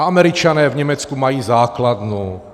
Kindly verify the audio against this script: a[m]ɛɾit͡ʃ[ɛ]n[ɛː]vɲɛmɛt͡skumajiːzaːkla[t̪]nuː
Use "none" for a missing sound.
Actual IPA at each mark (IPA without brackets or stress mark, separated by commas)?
m, a, ɛː, d̪